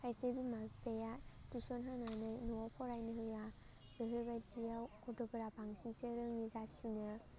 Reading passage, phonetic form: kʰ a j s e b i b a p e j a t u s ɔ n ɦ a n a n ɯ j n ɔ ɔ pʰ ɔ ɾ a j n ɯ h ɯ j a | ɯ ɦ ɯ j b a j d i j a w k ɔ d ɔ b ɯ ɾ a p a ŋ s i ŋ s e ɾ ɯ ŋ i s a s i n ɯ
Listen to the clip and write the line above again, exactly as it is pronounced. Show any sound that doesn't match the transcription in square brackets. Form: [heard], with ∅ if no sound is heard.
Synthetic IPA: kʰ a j s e b i [m] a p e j a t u s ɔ n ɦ a n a n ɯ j n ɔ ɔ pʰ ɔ ɾ a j n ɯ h ɯ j a | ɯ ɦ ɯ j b a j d i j a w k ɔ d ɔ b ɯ ɾ a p a ŋ s i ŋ s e ɾ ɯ ŋ i [z] a s i n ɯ